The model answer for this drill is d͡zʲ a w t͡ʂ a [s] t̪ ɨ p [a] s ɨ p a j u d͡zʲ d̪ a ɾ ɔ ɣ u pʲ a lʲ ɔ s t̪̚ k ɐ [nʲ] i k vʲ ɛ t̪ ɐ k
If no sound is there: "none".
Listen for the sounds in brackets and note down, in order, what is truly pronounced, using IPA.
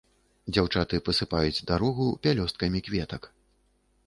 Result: none, ɐ, mʲ

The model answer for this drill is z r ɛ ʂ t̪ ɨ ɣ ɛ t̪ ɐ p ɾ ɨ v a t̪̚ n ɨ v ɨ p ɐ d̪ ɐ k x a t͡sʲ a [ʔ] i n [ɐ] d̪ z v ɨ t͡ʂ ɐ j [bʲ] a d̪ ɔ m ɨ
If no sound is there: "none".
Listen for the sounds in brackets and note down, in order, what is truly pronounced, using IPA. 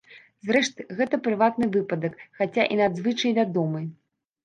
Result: ʔ, a, vʲ

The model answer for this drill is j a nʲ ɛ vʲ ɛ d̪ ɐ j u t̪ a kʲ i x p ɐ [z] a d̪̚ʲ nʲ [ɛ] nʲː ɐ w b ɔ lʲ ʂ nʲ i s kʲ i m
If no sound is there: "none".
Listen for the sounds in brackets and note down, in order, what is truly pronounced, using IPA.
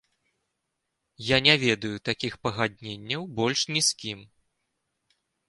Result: ɣ, e

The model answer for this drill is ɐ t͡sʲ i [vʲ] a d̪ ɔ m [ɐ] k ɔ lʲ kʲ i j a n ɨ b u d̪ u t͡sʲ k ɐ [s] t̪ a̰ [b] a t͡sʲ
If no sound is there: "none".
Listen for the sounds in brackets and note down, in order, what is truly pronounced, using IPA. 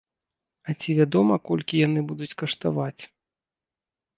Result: vʲ, ɐ, ʂ, v

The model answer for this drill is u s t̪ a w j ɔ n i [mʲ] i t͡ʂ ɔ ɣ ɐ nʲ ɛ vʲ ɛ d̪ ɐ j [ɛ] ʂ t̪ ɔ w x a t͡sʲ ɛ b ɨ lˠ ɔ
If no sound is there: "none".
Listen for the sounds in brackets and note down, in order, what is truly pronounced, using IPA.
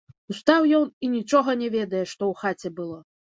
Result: nʲ, ɛ

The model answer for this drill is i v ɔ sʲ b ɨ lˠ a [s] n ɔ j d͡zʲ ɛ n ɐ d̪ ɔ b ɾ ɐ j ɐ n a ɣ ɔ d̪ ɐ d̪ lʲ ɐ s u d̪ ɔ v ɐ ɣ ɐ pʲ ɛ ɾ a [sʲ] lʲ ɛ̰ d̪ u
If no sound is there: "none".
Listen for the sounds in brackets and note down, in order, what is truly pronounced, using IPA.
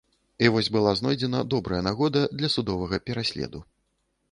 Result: z, sʲ

